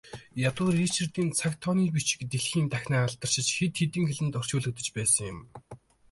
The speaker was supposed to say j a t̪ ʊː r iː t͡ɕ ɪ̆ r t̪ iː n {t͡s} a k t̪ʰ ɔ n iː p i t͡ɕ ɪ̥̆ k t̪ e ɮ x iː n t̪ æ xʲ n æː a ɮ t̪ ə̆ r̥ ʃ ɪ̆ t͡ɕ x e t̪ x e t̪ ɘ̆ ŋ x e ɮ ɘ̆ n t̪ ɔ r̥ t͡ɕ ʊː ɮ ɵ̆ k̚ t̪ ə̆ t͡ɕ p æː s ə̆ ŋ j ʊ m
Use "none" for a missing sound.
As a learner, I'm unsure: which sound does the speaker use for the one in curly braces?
t͡sʰ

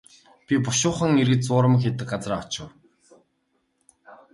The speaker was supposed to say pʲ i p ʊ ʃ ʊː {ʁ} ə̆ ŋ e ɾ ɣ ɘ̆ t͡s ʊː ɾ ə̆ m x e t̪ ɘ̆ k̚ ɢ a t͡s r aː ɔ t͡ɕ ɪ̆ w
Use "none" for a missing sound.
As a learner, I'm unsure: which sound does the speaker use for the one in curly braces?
χ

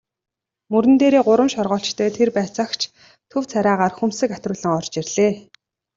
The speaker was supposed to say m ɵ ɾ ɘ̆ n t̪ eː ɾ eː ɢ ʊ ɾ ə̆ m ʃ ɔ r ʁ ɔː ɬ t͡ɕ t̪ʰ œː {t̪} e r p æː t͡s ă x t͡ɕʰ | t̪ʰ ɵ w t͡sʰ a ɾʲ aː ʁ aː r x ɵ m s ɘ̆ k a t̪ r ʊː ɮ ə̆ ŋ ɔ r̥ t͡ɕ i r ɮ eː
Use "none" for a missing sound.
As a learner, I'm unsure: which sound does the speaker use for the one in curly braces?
t̪ʰ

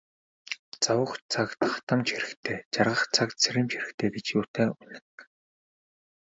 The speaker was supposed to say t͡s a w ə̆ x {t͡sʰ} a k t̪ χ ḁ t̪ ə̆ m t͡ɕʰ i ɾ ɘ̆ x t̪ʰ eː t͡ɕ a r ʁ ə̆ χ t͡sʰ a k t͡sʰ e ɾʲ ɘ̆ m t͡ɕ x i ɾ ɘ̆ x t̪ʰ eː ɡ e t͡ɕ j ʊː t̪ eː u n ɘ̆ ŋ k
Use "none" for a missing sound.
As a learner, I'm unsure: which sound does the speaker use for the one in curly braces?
t͡sʰ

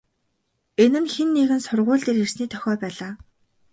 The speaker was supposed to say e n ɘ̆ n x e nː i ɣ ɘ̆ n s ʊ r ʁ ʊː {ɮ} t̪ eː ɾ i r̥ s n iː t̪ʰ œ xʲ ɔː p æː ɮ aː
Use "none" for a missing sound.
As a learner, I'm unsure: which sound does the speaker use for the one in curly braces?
ɮ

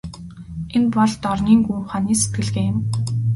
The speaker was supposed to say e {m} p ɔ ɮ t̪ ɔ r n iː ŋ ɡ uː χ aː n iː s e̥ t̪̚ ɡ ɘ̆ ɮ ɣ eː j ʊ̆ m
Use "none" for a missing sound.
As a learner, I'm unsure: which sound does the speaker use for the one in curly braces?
n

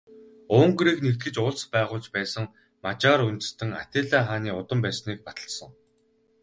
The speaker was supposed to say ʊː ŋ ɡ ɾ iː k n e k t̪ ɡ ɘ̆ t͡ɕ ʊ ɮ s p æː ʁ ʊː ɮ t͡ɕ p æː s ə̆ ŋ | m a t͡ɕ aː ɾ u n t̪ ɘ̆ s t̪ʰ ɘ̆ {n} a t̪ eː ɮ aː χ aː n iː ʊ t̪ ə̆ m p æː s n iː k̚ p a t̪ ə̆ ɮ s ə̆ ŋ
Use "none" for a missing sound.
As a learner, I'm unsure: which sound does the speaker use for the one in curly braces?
ŋ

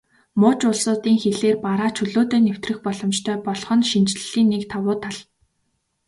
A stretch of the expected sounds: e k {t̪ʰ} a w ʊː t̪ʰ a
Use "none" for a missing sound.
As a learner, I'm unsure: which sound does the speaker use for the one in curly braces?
t̪ʰ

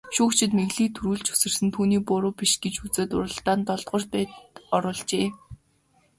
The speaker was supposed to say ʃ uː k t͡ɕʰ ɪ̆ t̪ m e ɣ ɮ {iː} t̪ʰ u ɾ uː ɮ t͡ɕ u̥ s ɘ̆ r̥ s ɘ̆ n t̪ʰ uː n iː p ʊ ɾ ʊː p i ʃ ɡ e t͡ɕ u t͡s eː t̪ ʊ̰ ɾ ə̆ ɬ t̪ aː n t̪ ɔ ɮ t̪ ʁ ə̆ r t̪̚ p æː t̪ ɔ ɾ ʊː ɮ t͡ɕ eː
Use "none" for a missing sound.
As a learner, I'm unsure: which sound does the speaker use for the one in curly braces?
iː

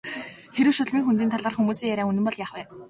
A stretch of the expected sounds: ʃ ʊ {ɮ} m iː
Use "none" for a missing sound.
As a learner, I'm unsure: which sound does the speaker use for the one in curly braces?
ɮ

